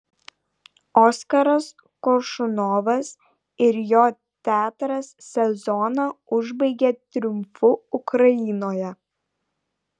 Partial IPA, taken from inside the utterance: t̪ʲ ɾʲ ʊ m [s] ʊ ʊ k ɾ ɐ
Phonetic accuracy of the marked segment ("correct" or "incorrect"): incorrect